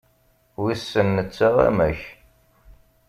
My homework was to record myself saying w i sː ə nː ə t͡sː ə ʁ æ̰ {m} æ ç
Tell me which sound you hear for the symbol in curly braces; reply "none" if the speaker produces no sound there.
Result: m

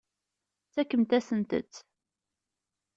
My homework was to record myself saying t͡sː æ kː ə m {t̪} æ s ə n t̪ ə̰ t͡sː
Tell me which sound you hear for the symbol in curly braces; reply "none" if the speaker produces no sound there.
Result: t̪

